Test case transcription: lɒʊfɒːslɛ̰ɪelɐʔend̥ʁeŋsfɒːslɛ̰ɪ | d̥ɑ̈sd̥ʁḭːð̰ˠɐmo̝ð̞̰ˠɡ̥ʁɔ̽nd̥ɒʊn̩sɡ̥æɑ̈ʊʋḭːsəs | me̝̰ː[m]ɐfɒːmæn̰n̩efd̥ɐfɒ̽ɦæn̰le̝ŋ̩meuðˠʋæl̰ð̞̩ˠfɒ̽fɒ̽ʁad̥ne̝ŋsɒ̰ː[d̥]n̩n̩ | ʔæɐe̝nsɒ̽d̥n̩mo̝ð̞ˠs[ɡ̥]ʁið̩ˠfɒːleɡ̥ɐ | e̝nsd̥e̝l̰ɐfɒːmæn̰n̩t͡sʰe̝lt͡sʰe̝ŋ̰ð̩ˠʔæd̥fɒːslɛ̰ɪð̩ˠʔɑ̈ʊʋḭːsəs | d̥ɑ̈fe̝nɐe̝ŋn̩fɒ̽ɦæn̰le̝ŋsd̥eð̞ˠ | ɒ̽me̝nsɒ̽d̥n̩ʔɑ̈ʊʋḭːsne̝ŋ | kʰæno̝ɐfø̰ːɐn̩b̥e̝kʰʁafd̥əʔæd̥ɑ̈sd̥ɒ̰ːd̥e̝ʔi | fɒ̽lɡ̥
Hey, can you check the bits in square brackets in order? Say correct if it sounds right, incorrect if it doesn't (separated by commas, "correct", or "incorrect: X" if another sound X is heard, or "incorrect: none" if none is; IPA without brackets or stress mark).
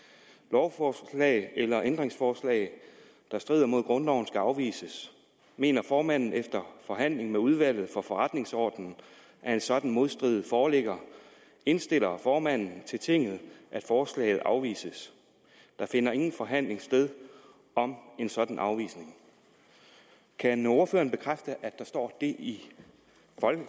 incorrect: n, correct, incorrect: d̥